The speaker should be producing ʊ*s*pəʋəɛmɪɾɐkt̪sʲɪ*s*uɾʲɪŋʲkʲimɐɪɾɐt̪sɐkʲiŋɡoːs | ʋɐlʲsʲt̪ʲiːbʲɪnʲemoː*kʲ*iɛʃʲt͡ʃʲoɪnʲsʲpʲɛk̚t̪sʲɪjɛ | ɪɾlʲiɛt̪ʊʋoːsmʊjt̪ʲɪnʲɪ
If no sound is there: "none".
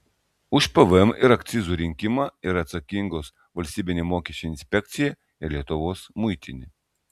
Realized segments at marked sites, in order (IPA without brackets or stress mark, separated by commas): ʃ, z, kʲ